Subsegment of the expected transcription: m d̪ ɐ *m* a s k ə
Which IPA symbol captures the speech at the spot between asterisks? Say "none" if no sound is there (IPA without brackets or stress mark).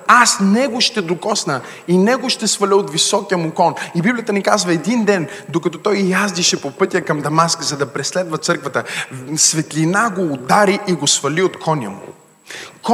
m